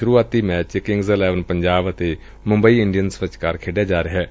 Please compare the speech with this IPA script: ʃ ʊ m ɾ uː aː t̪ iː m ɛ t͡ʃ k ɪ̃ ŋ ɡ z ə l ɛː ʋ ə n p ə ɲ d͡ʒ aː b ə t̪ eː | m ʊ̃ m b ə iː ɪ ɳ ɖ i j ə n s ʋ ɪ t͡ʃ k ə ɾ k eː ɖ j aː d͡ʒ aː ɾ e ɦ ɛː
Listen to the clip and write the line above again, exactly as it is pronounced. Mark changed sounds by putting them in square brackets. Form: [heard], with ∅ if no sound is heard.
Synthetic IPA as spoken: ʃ ʊ [∅] ɾ uː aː t̪ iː m [ɛː] t͡ʃ k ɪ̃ ŋ ɡ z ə l ɛː ʋ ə n p ə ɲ d͡ʒ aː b ə t̪ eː | m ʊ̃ m b ə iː ɪ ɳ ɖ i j ə n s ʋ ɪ t͡ʃ k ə ɾ [kʰ] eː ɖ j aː d͡ʒ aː ɾ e ɦ ɛː

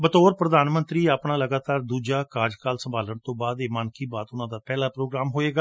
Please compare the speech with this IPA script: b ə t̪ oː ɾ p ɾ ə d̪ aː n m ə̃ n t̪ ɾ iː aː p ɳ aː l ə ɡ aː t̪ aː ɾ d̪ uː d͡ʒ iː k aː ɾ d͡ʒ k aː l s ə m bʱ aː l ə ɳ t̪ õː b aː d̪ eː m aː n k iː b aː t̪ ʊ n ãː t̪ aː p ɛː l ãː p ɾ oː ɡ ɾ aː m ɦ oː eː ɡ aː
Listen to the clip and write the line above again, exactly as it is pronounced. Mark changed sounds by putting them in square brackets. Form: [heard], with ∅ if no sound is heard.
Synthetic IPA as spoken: b ə t̪ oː ɾ p ɾ ə d̪ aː n m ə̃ n t̪ ɾ iː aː p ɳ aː l ə ɡ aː t̪ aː ɾ d̪ uː d͡ʒ [aː] k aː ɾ d͡ʒ k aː l s ə m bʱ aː l ə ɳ t̪ õː b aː d̪ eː m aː n k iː b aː t̪ ʊ n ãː [d̪] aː p ɛː l [aː] p ɾ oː ɡ ɾ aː m ɦ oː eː ɡ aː

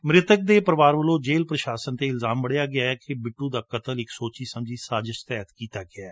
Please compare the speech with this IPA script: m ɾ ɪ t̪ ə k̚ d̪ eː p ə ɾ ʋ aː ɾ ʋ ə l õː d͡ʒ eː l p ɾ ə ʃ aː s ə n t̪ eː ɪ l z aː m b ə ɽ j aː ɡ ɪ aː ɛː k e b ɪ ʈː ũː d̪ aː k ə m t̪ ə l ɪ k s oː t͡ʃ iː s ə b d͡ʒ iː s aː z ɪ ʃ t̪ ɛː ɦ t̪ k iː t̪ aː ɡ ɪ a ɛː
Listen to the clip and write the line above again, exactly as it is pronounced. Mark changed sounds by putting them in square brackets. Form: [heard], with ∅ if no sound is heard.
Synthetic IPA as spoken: m ɾ ɪ t̪ ə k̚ d̪ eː p ə ɾ ʋ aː ɾ ʋ ə l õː d͡ʒ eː l p ɾ ə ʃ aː s ə n t̪ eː ɪ l z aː m b ə ɽ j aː ɡ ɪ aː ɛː k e b ɪ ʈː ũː d̪ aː k ə [∅] t̪ ə l ɪ k s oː t͡ʃ iː s ə [m] d͡ʒ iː s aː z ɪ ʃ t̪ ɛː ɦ t̪ k iː t̪ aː ɡ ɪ a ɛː

